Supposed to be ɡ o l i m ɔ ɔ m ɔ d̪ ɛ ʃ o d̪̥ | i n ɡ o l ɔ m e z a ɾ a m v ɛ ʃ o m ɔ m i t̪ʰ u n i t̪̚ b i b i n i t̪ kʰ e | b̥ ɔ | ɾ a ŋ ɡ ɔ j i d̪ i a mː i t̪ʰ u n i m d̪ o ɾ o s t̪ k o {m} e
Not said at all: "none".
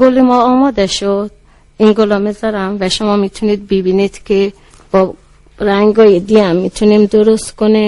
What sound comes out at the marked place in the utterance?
n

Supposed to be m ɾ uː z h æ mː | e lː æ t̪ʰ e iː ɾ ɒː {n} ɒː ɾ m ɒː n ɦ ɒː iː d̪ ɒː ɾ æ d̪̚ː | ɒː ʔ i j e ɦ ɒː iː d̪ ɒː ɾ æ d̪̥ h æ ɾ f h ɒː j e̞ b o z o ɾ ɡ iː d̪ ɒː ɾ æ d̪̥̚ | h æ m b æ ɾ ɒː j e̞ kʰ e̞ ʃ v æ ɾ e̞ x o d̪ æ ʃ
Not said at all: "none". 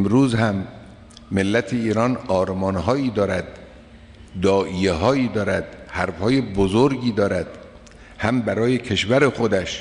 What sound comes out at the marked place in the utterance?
n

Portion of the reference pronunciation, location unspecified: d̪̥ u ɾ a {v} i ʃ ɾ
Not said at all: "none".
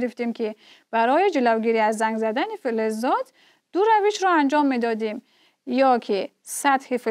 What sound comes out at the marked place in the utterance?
v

